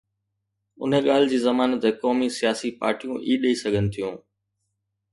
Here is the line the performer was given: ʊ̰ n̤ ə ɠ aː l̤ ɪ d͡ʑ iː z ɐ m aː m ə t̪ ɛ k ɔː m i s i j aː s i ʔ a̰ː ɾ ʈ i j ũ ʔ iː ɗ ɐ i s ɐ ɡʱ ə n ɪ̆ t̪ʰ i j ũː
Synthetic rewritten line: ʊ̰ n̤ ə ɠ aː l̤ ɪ d͡ʑ iː z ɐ m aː n ə t̪ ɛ k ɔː m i s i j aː s i p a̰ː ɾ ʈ i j ũ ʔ iː ɗ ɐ i s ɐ ɡʱ ə n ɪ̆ t̪ʰ i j ũː